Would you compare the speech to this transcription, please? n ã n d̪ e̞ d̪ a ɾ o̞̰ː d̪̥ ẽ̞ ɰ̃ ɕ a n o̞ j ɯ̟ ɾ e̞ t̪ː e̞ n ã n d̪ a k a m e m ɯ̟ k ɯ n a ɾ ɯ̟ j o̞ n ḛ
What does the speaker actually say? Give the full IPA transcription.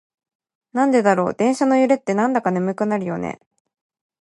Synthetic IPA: n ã n d̪ e̞ d̪ a ɾ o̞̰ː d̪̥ ẽ̞ ɰ̃ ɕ a n o̞ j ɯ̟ ɾ e̞ t̪ː e̞ n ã n d̪ a k a n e m ɯ̟ k ɯ n a ɾ ɯ̟ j o̞ n ḛ